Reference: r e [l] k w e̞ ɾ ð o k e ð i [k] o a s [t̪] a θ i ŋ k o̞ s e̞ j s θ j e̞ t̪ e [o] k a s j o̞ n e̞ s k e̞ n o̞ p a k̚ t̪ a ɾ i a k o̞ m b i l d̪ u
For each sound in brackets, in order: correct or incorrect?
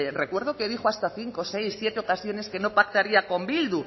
incorrect, incorrect, correct, correct

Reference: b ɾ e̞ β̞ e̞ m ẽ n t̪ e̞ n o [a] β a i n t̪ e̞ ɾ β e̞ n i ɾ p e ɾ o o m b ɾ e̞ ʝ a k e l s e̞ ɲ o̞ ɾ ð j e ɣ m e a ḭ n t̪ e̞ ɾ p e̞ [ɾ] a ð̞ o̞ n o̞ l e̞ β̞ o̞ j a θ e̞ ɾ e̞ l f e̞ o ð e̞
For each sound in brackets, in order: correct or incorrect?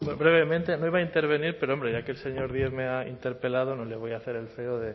incorrect, incorrect

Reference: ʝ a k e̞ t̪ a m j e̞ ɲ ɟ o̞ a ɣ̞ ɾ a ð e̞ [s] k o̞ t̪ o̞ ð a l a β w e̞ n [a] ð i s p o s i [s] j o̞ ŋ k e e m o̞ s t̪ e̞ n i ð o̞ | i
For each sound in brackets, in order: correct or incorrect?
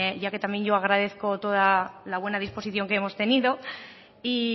incorrect, correct, incorrect

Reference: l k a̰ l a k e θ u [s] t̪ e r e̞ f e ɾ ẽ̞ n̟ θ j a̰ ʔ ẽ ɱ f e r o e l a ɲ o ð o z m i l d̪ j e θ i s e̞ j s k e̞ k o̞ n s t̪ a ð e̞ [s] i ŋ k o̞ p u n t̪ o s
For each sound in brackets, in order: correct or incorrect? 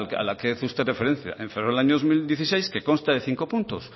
correct, incorrect

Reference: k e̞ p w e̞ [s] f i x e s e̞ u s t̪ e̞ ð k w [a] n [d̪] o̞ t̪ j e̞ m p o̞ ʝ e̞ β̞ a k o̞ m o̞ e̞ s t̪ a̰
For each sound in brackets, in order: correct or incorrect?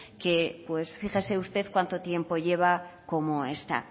correct, correct, incorrect

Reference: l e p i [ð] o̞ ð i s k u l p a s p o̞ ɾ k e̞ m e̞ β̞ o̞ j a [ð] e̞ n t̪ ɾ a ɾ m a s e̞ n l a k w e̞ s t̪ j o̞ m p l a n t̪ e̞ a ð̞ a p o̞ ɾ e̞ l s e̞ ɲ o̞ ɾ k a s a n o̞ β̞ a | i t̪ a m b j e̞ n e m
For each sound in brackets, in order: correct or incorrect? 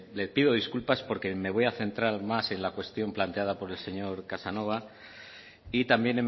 correct, incorrect

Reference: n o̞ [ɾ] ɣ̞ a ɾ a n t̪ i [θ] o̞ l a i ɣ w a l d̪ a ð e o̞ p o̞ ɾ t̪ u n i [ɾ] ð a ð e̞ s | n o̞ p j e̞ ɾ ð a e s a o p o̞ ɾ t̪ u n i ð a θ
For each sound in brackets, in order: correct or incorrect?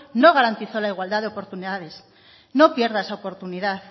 incorrect, correct, incorrect

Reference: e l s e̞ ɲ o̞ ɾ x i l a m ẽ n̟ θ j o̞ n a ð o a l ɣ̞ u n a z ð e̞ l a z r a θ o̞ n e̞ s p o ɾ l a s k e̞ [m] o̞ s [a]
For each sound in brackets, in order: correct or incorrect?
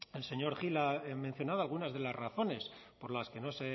incorrect, incorrect

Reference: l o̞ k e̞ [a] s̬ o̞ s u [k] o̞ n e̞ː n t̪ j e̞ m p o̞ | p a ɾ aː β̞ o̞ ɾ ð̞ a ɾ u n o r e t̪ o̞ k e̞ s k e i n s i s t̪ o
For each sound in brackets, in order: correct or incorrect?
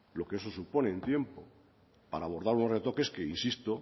incorrect, incorrect

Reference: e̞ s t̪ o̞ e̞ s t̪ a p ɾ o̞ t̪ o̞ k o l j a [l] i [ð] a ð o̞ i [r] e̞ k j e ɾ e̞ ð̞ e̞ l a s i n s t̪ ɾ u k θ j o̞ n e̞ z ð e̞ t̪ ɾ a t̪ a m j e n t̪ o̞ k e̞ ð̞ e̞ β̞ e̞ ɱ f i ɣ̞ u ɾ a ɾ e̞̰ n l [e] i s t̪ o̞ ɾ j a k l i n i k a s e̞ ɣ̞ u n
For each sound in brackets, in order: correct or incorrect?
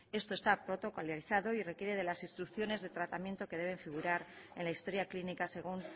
incorrect, incorrect, correct, incorrect

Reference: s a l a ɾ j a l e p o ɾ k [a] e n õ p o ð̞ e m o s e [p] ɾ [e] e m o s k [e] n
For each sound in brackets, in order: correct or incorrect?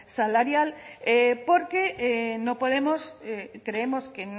incorrect, incorrect, correct, correct

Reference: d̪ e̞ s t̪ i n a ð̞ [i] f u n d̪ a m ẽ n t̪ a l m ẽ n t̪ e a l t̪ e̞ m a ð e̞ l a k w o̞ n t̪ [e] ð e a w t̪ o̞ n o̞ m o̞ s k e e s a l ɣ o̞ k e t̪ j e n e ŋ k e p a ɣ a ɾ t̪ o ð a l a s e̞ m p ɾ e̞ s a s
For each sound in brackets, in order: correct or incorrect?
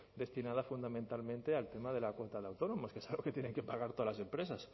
incorrect, incorrect

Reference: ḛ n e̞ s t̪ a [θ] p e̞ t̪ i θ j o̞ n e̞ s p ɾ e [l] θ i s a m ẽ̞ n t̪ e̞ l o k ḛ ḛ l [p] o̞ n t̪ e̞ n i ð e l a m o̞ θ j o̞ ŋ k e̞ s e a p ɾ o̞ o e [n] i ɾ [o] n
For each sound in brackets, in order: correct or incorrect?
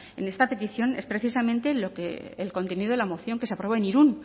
incorrect, incorrect, incorrect, correct, incorrect

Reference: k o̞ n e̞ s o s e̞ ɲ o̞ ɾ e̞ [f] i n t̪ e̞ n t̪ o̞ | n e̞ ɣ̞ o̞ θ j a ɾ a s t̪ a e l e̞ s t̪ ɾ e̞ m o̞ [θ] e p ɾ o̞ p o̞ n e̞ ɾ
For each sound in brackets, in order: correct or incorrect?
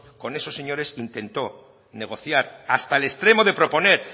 incorrect, incorrect

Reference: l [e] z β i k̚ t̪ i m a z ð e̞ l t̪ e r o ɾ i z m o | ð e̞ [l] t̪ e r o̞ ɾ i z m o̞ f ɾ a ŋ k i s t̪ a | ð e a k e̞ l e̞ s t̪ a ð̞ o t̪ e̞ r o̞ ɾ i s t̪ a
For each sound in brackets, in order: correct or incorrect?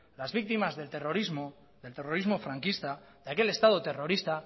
incorrect, correct

